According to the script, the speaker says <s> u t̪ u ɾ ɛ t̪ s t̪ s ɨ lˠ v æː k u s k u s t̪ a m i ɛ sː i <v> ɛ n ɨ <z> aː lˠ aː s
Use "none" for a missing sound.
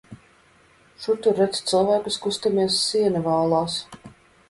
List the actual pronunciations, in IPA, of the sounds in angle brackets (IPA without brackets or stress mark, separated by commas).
ʃ, none, v